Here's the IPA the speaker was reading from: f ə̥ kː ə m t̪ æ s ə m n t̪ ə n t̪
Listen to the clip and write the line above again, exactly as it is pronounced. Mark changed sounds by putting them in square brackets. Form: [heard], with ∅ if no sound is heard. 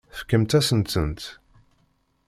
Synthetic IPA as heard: f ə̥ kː ə m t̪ æ s ə [∅] n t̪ ə n t̪